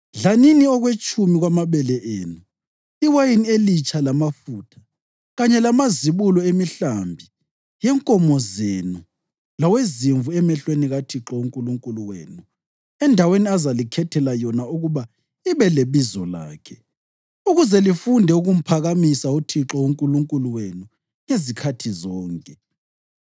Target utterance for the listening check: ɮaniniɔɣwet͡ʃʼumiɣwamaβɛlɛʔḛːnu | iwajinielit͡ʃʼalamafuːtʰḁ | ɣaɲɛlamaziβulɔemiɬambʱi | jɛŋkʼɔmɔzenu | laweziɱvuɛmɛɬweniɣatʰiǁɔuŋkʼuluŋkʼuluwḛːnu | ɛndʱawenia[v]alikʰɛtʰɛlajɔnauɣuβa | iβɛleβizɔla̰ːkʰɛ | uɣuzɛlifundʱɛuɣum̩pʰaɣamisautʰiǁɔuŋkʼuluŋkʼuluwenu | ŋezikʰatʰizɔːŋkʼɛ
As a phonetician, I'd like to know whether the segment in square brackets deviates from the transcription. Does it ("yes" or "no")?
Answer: yes